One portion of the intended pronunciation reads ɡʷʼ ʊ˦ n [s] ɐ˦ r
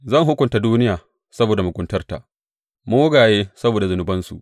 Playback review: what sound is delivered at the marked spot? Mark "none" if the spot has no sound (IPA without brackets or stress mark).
t